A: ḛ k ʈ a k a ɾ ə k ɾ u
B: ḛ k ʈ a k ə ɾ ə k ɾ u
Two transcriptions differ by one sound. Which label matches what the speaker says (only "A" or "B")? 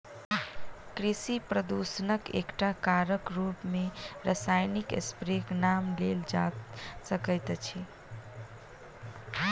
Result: A